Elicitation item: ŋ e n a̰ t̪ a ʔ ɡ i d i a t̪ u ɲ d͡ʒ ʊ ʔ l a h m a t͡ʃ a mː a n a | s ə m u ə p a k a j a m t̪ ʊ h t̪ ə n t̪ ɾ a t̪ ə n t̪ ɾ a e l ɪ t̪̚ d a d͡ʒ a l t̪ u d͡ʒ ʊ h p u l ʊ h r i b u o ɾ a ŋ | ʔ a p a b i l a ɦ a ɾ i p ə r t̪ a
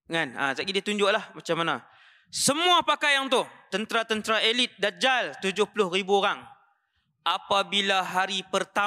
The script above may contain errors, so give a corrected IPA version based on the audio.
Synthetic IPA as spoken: ŋ a n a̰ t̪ a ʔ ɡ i d i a t̪ u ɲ d͡ʒ ʊ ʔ l a h m a t͡ʃ a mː a n a | s ə m u a p a k a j a ŋ t̪ ʊ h t̪ ə n t̪ ɾ a t̪ ə n t̪ ɾ a e l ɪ t̪̚ d a d͡ʒ a l t̪ u d͡ʒ ʊ h p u l ʊ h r i b u o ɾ a ŋ | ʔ a p a b i l a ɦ a ɾ i p ə r t̪ a